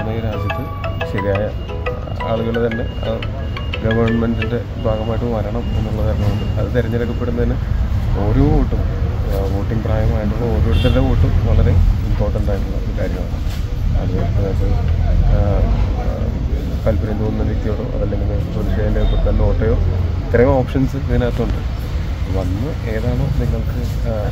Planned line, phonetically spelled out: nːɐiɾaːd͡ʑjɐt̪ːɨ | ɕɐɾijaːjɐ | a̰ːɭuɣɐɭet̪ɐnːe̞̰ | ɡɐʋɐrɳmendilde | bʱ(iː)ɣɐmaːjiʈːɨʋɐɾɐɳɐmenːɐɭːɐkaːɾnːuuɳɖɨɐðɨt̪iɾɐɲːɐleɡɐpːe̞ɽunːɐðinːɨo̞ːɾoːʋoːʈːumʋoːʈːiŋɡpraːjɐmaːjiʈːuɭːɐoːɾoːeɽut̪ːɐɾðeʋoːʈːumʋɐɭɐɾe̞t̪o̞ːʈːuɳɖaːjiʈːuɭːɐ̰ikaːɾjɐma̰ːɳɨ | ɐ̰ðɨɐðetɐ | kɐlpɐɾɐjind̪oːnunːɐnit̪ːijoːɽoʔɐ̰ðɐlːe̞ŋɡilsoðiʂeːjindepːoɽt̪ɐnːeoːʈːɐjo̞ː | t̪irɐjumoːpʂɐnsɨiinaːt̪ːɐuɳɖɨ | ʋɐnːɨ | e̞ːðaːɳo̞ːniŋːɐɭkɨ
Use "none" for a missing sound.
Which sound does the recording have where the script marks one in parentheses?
aː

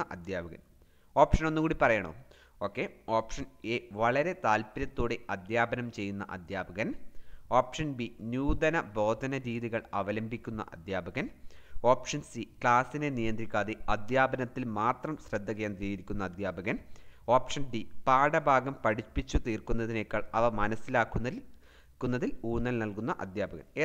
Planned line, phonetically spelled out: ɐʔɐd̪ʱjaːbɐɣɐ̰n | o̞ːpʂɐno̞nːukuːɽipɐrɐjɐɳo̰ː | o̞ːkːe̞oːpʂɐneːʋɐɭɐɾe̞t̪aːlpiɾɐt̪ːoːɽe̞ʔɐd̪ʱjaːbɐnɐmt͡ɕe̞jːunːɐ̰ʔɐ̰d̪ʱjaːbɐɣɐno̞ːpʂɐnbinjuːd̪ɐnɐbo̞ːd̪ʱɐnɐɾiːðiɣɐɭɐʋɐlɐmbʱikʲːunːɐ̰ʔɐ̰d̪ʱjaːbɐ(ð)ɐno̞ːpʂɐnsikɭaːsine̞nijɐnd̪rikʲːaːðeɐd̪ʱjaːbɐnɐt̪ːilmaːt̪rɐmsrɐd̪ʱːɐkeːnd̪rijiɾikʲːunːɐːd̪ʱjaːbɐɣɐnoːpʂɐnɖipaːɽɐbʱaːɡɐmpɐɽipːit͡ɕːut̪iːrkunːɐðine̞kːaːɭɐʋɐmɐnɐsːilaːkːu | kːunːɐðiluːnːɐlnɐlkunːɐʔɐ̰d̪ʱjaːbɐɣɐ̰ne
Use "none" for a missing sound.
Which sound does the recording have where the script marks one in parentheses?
ɣ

